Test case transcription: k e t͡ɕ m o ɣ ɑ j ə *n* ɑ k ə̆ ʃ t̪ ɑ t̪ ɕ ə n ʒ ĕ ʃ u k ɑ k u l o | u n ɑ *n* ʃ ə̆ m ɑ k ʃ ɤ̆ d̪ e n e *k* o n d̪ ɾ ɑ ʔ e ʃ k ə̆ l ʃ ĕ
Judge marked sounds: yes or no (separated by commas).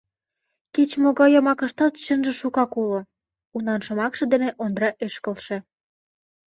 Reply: no, yes, no